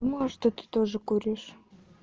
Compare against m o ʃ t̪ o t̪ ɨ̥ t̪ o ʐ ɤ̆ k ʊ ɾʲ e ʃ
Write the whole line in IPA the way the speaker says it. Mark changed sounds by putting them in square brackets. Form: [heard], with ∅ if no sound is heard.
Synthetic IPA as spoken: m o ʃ t̪ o t̪ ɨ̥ t̪ o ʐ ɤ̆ k [u] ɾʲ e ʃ